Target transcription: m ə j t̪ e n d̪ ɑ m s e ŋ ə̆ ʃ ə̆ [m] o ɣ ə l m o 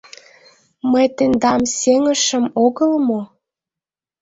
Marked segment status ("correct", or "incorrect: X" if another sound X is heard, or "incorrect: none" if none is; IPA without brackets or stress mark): correct